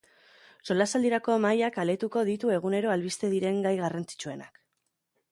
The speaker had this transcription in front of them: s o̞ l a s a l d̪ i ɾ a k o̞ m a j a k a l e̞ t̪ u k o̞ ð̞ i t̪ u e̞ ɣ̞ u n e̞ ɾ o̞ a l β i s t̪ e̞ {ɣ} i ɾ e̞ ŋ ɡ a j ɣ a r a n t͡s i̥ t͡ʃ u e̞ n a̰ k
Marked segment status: incorrect: ð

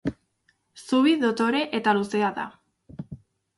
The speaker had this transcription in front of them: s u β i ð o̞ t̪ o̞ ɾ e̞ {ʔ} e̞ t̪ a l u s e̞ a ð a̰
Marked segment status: correct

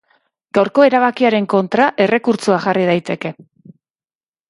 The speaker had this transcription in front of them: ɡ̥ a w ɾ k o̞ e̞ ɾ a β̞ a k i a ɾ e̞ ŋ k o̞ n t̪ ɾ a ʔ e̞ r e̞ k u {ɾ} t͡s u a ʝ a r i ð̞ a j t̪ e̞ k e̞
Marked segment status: correct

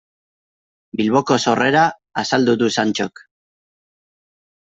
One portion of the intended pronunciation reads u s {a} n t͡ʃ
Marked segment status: correct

